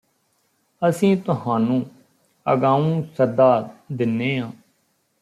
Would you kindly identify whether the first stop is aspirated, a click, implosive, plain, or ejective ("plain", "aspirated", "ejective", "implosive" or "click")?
plain